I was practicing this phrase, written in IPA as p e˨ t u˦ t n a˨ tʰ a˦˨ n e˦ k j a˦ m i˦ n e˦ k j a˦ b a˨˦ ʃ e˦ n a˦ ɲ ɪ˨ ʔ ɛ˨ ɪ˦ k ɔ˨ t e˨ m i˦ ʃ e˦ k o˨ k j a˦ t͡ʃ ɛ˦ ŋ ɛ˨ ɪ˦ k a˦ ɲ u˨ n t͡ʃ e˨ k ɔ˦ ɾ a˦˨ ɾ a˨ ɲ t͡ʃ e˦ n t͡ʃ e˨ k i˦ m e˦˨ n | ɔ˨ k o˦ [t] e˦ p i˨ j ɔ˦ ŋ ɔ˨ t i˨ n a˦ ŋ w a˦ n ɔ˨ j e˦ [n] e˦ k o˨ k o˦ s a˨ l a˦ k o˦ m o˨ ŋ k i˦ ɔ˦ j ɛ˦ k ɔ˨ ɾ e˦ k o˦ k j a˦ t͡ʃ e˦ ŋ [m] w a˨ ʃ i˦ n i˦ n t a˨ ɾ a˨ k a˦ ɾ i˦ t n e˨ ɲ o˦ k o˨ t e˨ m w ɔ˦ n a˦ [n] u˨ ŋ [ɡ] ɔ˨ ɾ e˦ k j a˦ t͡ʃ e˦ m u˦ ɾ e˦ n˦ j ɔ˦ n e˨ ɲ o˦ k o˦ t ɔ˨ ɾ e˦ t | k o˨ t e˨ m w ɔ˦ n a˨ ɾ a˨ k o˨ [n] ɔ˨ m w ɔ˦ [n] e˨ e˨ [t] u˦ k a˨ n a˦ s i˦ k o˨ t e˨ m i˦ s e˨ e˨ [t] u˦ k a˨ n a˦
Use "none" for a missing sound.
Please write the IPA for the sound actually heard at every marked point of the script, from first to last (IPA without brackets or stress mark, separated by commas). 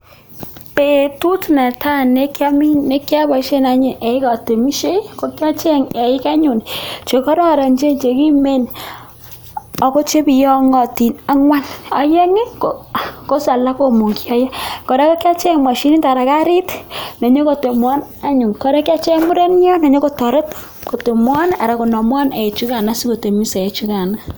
t͡ʃ, ŋ, m, ɲ, k, n, n, t͡ʃ, t͡ʃ